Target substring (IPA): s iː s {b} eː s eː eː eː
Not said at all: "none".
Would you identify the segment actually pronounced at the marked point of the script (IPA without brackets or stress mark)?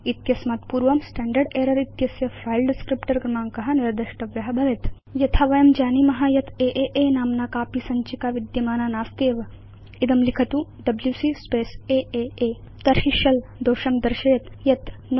p